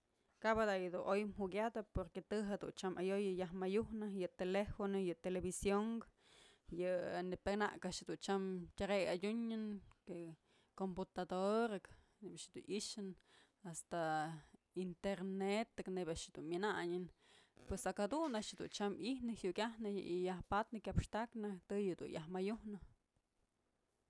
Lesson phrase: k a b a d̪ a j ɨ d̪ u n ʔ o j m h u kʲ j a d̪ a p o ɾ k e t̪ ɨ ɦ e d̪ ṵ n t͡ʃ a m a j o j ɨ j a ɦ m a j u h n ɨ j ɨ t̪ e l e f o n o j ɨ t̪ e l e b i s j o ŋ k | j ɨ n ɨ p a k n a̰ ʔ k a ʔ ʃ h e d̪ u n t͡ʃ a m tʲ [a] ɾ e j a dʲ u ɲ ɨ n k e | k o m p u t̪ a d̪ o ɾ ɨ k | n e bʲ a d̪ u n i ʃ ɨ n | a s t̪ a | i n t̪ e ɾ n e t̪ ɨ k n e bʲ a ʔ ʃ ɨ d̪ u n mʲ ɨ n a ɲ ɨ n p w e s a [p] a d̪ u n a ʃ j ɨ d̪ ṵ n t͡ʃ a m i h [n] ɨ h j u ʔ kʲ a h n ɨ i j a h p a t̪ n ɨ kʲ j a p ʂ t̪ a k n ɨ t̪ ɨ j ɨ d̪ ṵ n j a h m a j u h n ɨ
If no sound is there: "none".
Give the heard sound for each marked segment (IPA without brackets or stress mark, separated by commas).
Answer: a, k, n